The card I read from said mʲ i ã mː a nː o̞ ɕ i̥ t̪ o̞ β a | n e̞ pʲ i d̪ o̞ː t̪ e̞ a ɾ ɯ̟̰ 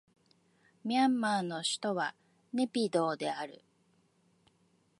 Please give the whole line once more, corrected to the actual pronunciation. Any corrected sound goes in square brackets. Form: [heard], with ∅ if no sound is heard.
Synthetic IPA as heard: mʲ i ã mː a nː o̞ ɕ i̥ t̪ o̞ β a | n e̞ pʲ i d̪ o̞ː [d̪] e̞ a ɾ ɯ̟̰